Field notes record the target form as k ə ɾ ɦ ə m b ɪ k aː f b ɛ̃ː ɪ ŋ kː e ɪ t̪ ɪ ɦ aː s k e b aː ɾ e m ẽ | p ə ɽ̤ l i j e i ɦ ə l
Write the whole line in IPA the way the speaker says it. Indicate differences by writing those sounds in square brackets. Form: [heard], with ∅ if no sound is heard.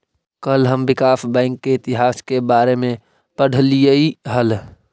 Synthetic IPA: k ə [l] ɦ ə m b ɪ k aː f b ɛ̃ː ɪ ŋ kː e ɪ t̪ ɪ ɦ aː s k e b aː ɾ e m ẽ | p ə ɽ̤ l i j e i ɦ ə l